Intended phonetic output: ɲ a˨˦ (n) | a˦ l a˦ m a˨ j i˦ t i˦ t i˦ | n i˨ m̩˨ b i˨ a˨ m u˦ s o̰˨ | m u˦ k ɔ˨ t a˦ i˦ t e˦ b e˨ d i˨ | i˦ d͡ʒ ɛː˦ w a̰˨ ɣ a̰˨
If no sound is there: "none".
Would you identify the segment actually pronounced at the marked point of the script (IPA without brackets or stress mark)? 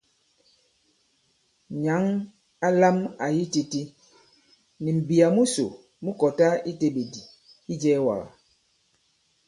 ŋ